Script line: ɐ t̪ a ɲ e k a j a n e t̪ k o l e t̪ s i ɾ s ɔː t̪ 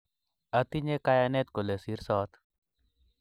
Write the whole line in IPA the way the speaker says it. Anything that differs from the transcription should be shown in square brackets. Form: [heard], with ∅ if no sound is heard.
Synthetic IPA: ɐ t̪ [i] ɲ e k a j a n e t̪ k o l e [∅] s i ɾ s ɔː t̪